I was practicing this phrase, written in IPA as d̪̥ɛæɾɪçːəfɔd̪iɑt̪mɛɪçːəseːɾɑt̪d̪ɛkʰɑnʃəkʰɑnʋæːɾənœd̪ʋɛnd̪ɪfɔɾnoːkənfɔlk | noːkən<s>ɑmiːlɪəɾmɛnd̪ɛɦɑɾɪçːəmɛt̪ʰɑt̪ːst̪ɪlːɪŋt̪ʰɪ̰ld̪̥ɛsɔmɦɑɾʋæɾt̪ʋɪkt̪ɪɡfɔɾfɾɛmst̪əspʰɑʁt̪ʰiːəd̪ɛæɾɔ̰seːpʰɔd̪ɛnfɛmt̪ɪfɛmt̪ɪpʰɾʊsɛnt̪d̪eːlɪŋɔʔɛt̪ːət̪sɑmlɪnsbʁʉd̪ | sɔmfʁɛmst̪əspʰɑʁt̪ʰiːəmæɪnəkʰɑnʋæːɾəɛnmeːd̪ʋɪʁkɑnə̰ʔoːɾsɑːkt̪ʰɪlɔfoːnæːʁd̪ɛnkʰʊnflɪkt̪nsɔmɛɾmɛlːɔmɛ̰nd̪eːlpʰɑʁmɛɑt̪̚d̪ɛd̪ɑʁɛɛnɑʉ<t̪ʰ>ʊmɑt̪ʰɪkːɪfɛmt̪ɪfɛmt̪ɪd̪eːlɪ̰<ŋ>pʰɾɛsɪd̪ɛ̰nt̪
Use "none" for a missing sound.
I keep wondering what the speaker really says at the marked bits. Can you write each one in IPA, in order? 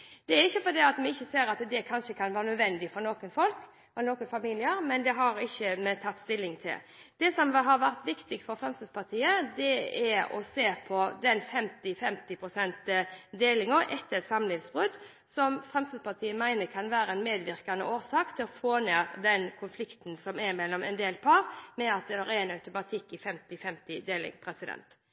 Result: f, t̪, ŋ

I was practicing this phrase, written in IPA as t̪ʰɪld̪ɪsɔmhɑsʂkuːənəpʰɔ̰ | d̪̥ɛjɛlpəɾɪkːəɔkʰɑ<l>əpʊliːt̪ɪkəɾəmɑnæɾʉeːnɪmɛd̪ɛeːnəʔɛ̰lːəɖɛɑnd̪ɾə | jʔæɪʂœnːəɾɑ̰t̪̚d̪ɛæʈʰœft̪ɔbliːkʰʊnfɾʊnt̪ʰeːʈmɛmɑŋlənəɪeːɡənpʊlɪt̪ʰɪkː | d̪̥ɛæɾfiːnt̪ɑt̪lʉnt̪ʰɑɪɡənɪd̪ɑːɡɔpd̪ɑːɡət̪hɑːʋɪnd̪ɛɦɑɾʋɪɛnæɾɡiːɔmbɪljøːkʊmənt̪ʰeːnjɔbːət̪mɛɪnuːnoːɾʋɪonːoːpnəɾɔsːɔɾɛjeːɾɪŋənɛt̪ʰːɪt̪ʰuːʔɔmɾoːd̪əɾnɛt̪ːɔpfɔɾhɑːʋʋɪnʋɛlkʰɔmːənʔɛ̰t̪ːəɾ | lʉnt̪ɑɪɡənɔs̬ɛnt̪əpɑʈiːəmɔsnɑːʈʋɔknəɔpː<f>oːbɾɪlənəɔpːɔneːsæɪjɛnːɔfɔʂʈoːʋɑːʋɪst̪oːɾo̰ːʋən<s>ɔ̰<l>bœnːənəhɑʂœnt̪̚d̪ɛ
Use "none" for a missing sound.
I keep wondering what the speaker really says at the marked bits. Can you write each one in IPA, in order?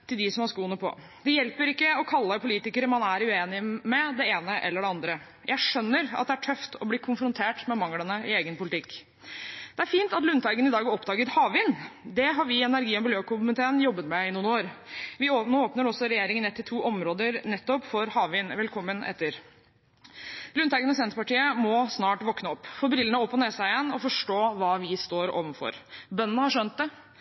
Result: lː, f, f, ɾ

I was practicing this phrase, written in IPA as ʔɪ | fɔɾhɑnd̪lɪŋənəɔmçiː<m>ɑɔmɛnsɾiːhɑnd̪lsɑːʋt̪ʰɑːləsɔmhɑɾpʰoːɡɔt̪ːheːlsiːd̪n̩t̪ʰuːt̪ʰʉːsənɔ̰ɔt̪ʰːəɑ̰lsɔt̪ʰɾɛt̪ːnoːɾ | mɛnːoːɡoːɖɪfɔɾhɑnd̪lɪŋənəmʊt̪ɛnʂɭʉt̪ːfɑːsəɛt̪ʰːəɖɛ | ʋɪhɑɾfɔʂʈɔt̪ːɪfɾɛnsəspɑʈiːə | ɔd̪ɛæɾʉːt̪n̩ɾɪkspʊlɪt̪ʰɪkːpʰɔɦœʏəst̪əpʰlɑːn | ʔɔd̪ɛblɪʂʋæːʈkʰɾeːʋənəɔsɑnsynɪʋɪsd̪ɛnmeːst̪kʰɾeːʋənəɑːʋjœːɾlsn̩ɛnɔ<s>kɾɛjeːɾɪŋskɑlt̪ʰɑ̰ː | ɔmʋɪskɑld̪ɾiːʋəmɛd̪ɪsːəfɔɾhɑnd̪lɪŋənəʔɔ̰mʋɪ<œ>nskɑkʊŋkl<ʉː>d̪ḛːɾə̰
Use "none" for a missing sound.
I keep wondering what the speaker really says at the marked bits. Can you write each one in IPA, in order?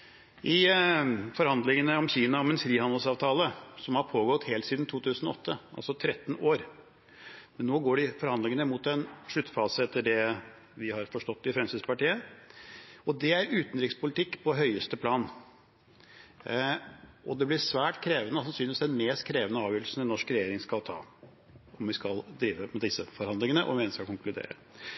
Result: n, ʂ, ɛ, ʉ

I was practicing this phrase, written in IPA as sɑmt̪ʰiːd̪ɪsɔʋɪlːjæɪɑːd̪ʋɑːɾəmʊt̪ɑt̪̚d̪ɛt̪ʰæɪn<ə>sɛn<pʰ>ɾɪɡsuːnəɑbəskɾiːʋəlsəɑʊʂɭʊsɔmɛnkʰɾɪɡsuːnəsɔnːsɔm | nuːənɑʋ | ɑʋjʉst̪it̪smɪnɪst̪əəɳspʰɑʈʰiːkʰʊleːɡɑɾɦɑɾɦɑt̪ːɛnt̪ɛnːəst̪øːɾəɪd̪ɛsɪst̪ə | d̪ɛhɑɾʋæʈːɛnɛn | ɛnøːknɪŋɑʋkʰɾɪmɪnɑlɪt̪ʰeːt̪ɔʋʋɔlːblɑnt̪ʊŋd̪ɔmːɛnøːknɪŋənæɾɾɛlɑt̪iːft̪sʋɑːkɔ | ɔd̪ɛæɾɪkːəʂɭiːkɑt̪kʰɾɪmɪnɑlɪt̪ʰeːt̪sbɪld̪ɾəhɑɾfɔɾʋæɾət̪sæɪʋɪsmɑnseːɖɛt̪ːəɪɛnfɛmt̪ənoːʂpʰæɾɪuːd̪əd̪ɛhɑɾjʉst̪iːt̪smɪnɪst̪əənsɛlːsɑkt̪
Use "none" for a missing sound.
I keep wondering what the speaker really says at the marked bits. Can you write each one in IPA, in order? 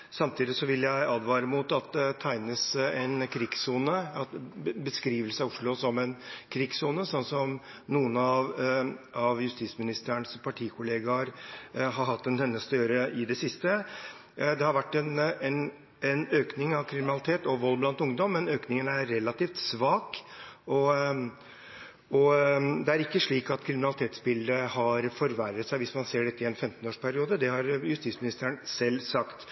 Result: ə, kʰ

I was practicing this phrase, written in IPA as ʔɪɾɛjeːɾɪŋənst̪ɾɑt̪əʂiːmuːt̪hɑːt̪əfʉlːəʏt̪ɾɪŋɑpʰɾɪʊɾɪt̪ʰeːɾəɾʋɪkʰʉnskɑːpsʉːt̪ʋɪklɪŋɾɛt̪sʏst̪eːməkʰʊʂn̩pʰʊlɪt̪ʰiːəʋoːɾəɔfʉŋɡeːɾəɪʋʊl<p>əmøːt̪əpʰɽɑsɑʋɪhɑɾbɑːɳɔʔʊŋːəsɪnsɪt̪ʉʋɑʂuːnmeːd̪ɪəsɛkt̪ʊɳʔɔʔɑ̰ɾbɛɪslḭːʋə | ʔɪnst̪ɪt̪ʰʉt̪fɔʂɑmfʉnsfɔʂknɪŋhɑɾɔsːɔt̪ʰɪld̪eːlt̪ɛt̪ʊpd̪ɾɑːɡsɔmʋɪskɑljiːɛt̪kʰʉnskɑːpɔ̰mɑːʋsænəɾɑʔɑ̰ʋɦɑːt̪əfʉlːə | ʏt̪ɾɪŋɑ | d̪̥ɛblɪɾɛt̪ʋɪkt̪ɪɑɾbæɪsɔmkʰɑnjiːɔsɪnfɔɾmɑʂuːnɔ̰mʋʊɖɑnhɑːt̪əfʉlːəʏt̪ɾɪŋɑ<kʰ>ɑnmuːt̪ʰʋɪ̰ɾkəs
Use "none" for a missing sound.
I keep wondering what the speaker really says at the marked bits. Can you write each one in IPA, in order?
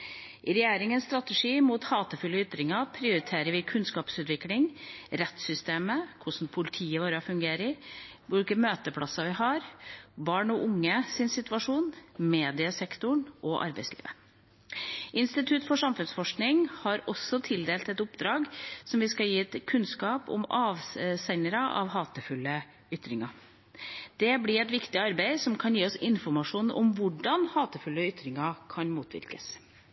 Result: k, kʰ

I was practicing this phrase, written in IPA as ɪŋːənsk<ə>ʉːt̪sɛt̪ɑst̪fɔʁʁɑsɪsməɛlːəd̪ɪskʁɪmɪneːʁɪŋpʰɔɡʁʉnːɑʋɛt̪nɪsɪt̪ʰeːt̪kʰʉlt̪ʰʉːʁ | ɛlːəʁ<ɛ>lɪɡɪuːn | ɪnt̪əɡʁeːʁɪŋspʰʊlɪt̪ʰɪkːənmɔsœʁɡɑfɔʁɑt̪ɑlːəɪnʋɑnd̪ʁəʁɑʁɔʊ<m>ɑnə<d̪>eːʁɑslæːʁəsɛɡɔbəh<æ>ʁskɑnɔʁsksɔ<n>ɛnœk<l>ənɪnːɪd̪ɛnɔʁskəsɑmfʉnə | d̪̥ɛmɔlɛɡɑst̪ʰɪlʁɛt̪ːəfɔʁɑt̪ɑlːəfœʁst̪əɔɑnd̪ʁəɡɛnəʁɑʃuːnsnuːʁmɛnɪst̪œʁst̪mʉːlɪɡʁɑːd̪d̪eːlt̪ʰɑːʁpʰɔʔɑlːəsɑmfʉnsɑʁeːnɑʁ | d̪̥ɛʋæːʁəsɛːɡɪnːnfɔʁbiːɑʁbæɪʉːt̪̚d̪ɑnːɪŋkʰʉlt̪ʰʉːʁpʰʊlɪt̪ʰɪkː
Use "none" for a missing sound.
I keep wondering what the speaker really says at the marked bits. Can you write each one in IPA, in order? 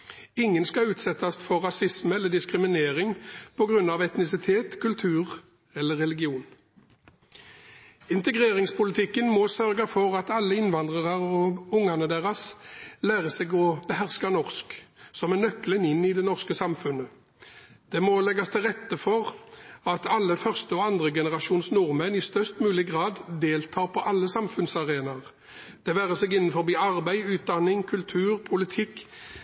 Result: ɑ, ɛ, ŋ, d̪, æ, m, l

